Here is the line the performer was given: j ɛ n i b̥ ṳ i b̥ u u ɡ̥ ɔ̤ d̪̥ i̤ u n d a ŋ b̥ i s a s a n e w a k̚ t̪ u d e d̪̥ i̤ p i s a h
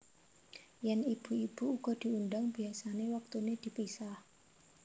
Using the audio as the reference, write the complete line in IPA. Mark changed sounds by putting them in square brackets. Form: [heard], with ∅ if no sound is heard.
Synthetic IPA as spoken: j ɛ n i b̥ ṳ i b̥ u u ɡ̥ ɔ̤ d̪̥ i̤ u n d a ŋ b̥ i [∅] a s a n e w a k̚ t̪ u [n] e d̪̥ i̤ p i s a h